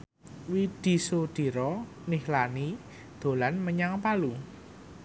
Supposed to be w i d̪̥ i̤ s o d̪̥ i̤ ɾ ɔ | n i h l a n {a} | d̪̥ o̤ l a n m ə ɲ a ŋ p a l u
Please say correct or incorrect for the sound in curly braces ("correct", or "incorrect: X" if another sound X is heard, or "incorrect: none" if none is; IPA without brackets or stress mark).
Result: incorrect: i